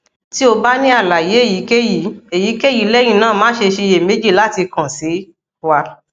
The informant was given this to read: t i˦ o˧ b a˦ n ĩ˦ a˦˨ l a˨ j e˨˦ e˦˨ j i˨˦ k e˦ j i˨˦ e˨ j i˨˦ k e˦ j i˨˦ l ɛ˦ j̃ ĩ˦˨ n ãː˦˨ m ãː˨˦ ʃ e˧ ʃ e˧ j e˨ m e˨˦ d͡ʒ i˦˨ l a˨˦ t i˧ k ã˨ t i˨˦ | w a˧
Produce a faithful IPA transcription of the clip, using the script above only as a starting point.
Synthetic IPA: t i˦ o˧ b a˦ n ĩ˦ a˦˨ l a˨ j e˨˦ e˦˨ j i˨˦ k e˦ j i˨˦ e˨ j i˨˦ k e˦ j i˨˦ l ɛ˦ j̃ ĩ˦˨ n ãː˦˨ m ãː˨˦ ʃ e˧ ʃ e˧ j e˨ m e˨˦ d͡ʒ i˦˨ l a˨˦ t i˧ k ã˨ s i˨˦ | w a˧